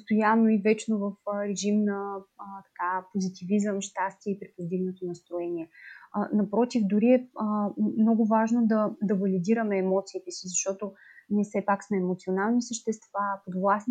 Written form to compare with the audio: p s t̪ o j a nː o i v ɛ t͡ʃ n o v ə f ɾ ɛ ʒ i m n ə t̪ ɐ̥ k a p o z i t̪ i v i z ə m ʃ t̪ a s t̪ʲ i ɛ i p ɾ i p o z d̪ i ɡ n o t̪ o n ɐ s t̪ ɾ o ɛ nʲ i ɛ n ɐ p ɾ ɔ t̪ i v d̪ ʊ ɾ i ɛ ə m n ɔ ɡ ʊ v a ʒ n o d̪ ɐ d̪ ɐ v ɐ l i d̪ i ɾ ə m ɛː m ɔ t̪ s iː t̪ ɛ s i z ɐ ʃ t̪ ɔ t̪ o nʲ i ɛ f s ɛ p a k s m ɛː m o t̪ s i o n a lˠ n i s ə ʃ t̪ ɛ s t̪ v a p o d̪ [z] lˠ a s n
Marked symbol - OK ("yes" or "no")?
no